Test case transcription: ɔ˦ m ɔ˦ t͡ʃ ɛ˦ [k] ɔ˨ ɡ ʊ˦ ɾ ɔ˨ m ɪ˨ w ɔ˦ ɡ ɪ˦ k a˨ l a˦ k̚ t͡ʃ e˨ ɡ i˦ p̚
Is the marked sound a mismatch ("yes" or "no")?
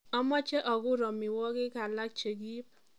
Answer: yes